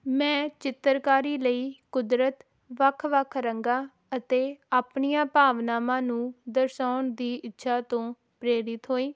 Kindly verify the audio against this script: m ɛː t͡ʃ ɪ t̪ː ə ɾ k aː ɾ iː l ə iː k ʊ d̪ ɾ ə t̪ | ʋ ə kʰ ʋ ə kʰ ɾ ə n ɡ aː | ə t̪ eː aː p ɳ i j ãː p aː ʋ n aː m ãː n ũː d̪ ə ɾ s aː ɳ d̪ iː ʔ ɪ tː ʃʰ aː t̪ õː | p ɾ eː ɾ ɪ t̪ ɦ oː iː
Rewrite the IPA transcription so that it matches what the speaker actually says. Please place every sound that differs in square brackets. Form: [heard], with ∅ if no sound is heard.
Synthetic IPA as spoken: m [ɛ̃ː] t͡ʃ ɪ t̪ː ə ɾ k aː ɾ iː l ə iː k ʊ d̪ ɾ ə t̪ | ʋ ə kʰ ʋ ə kʰ ɾ ə [ŋ] ɡ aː | ə t̪ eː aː p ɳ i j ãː p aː ʋ n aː m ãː n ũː d̪ ə ɾ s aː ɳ d̪ iː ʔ ɪ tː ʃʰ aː t̪ õː | p ɾ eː ɾ ɪ t̪ ɦ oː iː